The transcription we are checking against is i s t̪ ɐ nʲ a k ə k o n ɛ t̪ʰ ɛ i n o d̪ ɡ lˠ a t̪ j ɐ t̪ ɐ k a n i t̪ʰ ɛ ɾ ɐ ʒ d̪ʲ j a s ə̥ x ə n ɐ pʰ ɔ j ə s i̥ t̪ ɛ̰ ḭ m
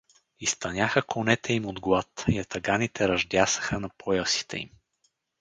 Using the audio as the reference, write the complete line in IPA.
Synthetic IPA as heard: i s t̪ ɐ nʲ a x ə k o n ɛ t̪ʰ ɛ i m o d̪ ɡ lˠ a t̪ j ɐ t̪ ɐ ɡ a n i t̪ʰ ɛ ɾ ɐ ʒ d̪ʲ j a s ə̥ x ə n ɐ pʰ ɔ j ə s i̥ t̪ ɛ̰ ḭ m